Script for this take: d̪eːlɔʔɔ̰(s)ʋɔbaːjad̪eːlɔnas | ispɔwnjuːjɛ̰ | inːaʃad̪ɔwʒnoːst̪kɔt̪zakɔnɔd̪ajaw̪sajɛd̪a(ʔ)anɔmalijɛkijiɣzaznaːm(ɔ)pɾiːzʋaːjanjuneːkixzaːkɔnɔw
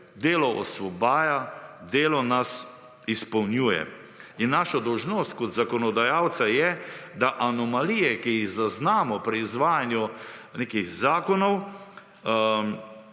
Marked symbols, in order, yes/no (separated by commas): yes, yes, yes